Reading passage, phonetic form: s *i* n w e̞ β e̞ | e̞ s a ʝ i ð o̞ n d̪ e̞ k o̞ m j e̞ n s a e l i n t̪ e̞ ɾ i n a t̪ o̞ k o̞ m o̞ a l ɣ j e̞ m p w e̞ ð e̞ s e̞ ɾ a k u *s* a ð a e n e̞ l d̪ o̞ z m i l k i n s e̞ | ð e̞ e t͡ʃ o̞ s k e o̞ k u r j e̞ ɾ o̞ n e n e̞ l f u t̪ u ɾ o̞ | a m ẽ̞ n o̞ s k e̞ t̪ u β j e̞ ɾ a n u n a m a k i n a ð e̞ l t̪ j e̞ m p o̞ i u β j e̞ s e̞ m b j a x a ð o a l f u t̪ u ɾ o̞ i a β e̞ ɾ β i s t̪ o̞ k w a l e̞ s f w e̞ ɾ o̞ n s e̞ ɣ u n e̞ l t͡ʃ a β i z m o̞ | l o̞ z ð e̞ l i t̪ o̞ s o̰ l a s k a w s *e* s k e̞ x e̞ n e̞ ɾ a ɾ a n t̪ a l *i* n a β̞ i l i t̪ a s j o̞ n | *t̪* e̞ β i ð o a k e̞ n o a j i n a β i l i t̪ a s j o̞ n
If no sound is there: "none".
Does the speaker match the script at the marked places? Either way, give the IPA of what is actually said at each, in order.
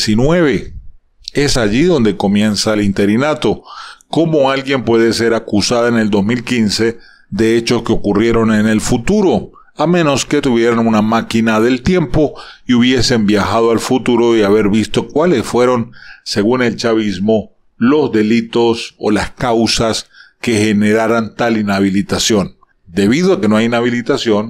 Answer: i, s, a, i, d̪

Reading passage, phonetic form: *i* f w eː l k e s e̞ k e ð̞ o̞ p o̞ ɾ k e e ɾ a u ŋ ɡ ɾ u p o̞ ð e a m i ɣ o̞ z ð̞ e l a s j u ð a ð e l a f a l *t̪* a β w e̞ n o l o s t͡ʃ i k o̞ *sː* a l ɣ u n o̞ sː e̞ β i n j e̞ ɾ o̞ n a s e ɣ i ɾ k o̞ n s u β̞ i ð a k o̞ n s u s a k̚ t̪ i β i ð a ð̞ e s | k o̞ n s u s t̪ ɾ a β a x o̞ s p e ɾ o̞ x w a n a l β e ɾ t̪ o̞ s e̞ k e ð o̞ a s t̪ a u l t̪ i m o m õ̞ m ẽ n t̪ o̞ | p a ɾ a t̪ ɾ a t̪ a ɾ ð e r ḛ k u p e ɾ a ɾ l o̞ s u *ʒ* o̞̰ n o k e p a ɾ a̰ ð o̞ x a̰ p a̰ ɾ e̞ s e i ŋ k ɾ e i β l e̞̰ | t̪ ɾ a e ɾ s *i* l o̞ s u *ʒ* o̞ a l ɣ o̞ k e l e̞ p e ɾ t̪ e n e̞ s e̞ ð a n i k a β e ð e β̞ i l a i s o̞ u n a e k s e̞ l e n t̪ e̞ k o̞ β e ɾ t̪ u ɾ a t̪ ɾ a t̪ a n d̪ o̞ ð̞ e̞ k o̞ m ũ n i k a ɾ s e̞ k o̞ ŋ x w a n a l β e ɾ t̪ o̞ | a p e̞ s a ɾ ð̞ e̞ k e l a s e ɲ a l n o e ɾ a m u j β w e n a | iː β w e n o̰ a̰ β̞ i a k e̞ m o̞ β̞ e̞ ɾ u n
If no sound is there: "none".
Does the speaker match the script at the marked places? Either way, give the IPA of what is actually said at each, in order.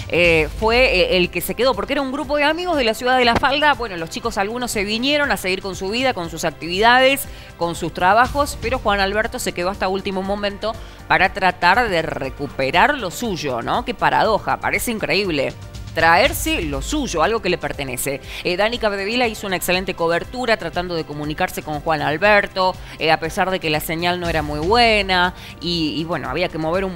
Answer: e, d̪, s, ʒ, e, ʒ

